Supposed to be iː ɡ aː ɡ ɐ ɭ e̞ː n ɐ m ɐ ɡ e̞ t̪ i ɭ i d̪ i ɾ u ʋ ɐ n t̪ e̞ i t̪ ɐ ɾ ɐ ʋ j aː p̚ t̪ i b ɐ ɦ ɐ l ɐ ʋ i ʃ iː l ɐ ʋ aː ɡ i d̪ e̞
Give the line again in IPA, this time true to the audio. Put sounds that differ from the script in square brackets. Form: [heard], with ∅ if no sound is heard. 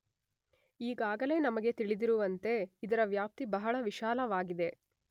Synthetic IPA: iː ɡ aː ɡ ɐ [l] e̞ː n ɐ m ɐ ɡ e̞ t̪ i ɭ i d̪ i ɾ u ʋ ɐ n t̪ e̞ i [d̪] ɐ ɾ ɐ ʋ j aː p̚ t̪ i b ɐ ɦ ɐ [ɭ] ɐ ʋ i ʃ [aː] l ɐ ʋ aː ɡ i d̪ e̞

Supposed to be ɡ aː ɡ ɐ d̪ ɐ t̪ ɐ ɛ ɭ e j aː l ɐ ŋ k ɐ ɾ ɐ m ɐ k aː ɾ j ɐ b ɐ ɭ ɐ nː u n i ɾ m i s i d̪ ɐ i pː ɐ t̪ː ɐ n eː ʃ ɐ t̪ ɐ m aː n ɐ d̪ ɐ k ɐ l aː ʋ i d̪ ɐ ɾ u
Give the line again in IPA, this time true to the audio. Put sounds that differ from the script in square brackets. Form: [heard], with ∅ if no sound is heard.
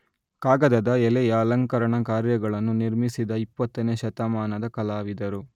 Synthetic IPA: [k] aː ɡ ɐ d̪ ɐ [d̪] ɐ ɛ [l] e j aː l ɐ ŋ k ɐ ɾ ɐ [ɳ] ɐ k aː ɾ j ɐ [ɡ] ɐ ɭ ɐ nː u n i ɾ m i s i d̪ ɐ i pː ɐ t̪ː ɐ n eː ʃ ɐ t̪ ɐ m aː n ɐ d̪ ɐ k ɐ l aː ʋ i d̪ ɐ ɾ u

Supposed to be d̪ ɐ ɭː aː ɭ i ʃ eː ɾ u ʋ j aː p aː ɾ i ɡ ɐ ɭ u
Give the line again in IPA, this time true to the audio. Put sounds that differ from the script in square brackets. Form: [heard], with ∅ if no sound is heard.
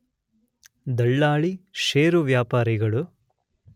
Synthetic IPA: d̪ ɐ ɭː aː ɭ i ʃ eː ɾ u ʋ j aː p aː ɾ i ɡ ɐ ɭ u

